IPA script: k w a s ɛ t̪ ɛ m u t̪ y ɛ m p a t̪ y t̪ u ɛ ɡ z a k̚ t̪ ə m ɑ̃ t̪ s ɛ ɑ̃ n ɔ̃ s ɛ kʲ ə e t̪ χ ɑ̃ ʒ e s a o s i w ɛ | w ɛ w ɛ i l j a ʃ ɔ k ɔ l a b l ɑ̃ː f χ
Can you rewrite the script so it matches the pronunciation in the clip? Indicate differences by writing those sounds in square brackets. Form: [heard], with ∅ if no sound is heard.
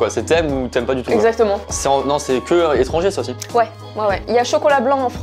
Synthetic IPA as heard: k w a s ɛ t̪ ɛ m u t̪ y ɛ m p a [d̪] y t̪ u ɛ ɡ z a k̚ t̪ ə m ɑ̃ [∅] s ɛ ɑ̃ n ɔ̃ s ɛ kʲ ə e t̪ χ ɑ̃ ʒ e s a o s i w ɛ | w ɛ w ɛ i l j a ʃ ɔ k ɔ l a b l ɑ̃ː f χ

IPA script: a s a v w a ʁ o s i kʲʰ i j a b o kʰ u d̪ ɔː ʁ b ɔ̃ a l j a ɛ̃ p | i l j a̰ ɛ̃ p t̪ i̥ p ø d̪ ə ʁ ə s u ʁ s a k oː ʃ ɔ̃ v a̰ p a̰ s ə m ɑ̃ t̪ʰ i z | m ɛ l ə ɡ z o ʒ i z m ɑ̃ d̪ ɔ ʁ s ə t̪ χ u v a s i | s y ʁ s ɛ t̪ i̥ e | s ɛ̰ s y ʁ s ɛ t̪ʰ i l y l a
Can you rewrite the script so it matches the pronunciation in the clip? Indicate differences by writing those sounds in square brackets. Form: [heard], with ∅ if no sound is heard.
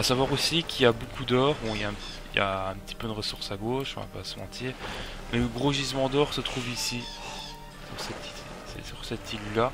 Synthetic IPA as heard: a s a v w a ʁ o s i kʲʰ i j a b o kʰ u d̪ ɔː ʁ b ɔ̃ [i] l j a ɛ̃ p | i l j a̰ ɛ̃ p t̪ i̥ p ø d̪ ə ʁ ə s u ʁ s a [ɡ] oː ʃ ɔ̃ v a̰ p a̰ s ə m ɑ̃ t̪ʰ i [ʁ] | m ɛ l ə ɡ [ʁ] o ʒ i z m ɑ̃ d̪ ɔ ʁ s ə t̪ χ u v [i] s i | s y ʁ s ɛ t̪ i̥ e | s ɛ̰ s y ʁ s ɛ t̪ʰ i l y l a

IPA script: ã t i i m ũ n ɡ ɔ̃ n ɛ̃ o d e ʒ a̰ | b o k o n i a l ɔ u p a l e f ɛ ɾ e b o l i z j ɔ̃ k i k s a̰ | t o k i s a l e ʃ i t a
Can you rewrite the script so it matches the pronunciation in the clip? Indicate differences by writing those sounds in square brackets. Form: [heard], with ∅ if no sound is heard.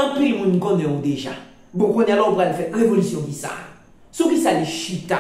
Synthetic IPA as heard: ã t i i m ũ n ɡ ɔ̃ n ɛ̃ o d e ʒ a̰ | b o k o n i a l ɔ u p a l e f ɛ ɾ e [v] o l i [s] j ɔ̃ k i [∅] s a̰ | [s] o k i s a l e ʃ i t a

